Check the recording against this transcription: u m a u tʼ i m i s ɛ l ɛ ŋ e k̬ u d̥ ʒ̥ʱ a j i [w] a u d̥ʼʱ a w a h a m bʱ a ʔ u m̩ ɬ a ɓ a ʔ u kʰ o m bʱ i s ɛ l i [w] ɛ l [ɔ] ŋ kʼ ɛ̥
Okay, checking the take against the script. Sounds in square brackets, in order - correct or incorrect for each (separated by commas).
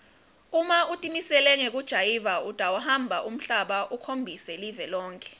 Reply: incorrect, incorrect, incorrect